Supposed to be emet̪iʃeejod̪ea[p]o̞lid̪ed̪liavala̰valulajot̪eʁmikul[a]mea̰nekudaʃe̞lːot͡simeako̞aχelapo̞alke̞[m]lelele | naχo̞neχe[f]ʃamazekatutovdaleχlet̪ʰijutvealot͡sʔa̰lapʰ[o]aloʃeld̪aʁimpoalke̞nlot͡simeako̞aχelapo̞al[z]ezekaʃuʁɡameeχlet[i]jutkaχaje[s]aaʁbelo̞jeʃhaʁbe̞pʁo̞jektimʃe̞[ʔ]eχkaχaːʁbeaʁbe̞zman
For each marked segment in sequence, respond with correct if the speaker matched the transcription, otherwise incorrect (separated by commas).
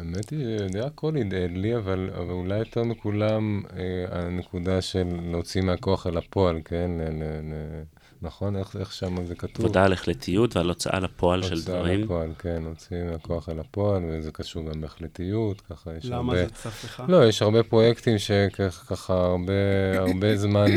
incorrect, correct, incorrect, incorrect, correct, incorrect, correct, incorrect, incorrect